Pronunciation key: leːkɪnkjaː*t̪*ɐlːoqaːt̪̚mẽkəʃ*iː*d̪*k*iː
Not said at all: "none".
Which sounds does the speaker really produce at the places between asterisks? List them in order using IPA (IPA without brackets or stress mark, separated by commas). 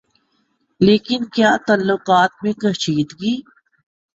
t̪, iː, ɡ